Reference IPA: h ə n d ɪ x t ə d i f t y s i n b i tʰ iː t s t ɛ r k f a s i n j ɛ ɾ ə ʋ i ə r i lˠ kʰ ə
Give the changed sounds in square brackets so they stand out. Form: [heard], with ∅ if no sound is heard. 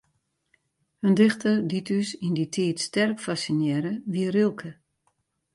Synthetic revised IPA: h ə n d ɪ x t ə d i [∅] t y s i n [d] i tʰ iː t s t ɛ r k f a s i n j ɛ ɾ ə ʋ i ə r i lˠ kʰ ə